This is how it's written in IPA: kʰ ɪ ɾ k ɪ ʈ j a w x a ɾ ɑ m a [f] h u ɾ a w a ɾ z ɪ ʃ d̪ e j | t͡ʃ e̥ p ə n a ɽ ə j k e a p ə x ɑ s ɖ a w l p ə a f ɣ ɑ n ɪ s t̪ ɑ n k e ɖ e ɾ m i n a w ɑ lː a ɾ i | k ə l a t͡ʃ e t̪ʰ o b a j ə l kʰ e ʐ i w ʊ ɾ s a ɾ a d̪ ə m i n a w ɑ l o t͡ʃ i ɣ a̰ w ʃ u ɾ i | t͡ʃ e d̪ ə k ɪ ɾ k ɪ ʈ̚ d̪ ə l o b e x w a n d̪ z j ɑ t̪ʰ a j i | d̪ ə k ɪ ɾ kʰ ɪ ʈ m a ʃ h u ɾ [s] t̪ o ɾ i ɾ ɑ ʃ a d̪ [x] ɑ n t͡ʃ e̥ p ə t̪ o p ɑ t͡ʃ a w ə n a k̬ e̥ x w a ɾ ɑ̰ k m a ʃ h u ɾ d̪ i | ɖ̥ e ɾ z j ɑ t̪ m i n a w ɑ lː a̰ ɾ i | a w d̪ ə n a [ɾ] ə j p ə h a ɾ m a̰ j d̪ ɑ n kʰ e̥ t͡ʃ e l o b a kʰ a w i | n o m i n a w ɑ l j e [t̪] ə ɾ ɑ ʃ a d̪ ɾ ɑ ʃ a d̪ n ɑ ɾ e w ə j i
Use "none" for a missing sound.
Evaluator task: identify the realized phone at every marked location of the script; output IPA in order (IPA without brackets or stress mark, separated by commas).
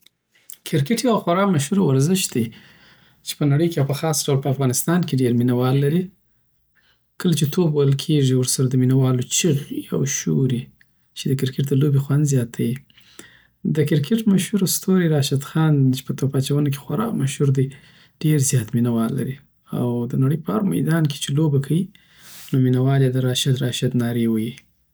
ʃ, s, x, ɽ, d̪